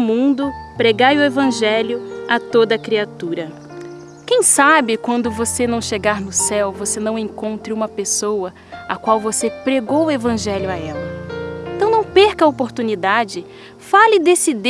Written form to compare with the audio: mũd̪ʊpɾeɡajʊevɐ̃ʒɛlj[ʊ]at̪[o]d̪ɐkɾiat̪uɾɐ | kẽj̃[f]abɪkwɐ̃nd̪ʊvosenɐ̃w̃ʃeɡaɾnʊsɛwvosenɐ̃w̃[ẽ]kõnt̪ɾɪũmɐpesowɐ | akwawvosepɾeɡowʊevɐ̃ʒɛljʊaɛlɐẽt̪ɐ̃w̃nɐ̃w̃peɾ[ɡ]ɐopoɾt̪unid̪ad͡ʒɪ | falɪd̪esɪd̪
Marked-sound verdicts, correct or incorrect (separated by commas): correct, correct, incorrect, correct, incorrect